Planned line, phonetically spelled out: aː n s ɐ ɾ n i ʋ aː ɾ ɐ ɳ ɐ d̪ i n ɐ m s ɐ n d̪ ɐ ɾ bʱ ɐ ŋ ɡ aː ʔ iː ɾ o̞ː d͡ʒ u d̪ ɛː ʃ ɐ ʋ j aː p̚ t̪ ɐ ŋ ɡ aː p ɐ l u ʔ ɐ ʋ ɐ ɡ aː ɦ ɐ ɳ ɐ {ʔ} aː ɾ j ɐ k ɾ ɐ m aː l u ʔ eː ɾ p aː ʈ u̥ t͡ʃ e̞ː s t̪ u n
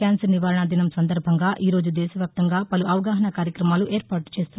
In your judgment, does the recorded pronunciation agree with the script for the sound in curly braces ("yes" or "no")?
no